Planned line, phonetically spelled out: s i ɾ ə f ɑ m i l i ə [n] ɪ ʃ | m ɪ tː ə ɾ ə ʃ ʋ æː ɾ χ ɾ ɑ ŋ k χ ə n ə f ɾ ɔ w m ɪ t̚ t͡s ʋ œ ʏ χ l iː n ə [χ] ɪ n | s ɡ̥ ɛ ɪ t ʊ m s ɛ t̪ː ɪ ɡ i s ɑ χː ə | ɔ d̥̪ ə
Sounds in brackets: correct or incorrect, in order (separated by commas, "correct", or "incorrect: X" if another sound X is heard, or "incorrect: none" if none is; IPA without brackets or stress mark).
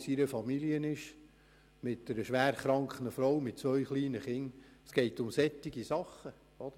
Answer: correct, correct